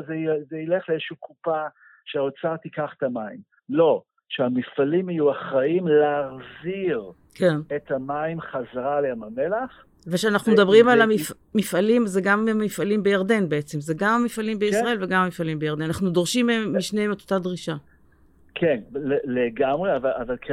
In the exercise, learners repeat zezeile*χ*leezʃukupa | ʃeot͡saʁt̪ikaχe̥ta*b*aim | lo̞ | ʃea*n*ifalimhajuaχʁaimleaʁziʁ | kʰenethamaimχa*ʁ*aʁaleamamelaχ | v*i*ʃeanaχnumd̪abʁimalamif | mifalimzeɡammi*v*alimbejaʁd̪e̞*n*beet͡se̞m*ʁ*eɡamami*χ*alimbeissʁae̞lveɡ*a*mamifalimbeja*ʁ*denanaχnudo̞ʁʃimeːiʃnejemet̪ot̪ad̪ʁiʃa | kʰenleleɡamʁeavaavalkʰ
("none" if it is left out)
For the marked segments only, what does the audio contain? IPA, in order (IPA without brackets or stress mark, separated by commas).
χ, m, m, z, e, f, n, z, f, a, ʁ